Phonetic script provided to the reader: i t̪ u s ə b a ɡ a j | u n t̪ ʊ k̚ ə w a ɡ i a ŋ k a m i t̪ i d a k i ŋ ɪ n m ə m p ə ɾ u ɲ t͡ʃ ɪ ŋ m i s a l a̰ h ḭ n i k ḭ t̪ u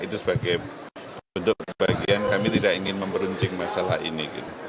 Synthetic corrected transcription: i t̪ u s ə b a ɡ a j | u n t̪ ʊ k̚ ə b a ɡ i a n k a m i t̪ i d a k i ŋ ɪ n m ə m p ə ɾ u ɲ t͡ʃ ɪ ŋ m a s a l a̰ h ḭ n i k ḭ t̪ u